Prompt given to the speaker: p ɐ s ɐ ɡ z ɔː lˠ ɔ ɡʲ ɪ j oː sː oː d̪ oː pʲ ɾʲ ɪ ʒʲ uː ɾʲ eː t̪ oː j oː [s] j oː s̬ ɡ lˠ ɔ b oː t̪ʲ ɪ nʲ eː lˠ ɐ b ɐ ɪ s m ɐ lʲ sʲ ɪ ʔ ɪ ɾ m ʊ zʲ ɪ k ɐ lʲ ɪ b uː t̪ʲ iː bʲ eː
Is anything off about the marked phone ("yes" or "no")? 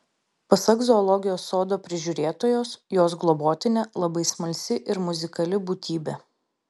no